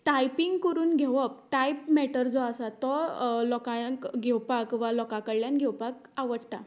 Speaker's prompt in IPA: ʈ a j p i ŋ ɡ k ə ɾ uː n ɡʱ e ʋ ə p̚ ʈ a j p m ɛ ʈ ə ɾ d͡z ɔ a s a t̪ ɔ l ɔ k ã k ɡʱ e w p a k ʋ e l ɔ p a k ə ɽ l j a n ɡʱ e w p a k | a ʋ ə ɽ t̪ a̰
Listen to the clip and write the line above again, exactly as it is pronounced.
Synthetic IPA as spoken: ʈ a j p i ŋ ɡ k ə ɾ uː n ɡʱ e ʋ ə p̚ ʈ a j p m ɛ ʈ ə ɾ d͡z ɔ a s a t̪ ɔ l ɔ k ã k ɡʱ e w p a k ʋ a l ɔ k a k ə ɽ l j a n ɡʱ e w p a k | a ʋ ə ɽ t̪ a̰